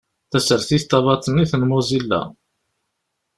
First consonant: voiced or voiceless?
voiceless